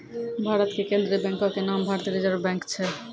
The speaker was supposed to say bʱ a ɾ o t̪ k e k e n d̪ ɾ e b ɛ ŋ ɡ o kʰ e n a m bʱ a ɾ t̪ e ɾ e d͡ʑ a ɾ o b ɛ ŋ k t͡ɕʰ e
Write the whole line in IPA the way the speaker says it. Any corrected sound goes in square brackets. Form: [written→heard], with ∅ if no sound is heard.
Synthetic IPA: bʱ a ɾ o t̪ k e k e n d̪ ɾ e b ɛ ŋ [ɡ→k] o [kʰ→k] e n a m bʱ a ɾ t̪ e ɾ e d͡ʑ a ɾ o b ɛ ŋ k t͡ɕʰ e